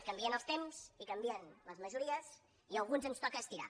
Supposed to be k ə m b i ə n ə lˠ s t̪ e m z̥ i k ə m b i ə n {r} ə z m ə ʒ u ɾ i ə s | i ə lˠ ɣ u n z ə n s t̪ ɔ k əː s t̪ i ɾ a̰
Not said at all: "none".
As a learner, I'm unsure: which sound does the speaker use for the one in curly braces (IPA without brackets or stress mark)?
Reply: l